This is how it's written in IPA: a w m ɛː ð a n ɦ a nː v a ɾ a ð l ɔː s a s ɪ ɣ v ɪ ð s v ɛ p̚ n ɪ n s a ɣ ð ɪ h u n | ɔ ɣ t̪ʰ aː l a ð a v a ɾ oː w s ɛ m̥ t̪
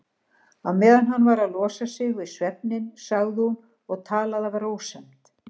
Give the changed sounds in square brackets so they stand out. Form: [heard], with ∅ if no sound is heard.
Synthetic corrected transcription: a w m ɛː ð a n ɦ a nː v a ɾ a ð l ɔː s a s ɪ ɣ v ɪ ð s v ɛ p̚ n ɪ n s a ɣ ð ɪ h u n | ɔ ɣ t̪ʰ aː l a ð a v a ɾ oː w s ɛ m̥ t̪